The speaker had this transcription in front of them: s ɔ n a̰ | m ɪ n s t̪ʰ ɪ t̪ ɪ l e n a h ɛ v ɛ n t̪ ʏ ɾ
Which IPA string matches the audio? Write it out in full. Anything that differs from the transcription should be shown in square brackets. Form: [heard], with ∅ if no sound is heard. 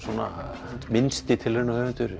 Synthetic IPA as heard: s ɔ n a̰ | m ɪ n s [t̪] ɪ [t̪ʰ] ɪ l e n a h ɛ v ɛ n t̪ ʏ ɾ